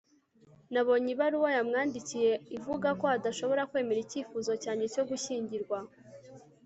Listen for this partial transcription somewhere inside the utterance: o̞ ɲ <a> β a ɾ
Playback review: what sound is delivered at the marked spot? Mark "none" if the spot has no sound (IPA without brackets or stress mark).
i